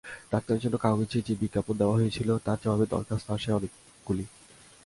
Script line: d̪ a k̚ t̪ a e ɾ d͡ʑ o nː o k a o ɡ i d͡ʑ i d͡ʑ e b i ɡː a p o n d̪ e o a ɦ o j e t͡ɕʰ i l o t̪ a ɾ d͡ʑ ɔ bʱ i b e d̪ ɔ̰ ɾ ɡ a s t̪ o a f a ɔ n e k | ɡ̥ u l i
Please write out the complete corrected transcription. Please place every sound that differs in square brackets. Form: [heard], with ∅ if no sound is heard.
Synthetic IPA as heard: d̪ a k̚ t̪ a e ɾ d͡ʑ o nː o k a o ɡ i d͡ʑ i d͡ʑ e b i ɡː a p o n d̪ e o a ɦ o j e t͡ɕʰ i l o t̪ a ɾ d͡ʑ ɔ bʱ [a] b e d̪ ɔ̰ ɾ [k] a s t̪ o a [ʃ] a ɔ n e k | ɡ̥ u l i